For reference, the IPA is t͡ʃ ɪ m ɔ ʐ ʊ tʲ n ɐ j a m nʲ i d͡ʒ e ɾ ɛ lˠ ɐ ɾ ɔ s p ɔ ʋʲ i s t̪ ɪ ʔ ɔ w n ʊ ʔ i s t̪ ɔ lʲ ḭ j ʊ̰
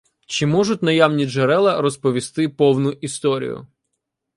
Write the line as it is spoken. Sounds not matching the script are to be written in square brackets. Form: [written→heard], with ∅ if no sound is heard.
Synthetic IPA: t͡ʃ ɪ m ɔ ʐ ʊ tʲ n ɐ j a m nʲ i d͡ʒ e ɾ ɛ lˠ ɐ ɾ ɔ s p ɔ ʋʲ i s t̪ ɪ [ʔ→p] ɔ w n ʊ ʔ i s t̪ ɔ [lʲ→ɾʲ] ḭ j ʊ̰